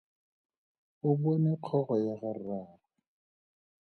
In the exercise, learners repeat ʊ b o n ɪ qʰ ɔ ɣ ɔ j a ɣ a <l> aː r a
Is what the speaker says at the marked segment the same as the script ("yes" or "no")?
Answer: no